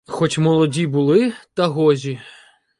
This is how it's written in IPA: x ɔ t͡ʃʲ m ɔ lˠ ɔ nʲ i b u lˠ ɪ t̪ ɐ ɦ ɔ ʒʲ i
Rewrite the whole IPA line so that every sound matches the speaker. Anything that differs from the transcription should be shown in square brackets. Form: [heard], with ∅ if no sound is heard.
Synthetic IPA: x ɔ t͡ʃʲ m ɔ lˠ ɔ [dʲ] i b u lˠ ɪ t̪ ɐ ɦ ɔ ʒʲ i